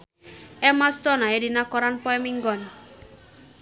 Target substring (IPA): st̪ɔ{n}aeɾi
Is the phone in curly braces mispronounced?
no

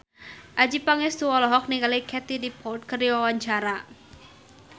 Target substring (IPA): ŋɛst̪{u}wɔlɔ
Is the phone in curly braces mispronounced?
no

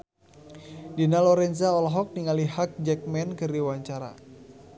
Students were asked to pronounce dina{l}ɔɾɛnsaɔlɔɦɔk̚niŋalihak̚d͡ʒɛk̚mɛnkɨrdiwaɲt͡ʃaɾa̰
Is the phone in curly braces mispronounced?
no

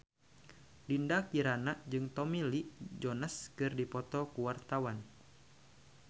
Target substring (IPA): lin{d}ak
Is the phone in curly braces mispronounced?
no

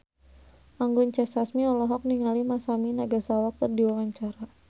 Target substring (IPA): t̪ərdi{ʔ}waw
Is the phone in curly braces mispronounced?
yes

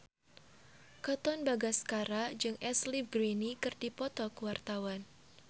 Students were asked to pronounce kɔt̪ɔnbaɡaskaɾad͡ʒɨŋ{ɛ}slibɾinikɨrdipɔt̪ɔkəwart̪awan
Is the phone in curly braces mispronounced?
no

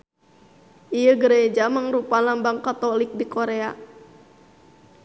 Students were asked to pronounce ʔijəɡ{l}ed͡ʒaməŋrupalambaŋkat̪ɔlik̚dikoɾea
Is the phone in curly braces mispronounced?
yes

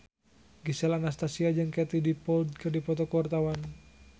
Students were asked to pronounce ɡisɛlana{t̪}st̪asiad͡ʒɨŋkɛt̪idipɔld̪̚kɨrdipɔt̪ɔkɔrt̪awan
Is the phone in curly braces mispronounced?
yes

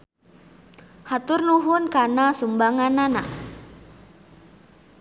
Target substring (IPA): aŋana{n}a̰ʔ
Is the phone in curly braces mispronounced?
no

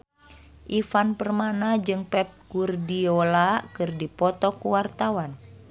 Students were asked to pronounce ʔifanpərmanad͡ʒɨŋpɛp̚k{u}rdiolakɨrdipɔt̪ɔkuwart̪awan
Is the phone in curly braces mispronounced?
no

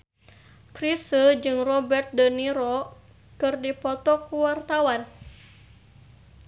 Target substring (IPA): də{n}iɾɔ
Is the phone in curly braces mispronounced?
no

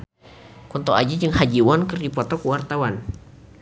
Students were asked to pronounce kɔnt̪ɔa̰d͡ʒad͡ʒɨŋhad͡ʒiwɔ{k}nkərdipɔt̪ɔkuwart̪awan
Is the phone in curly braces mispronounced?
yes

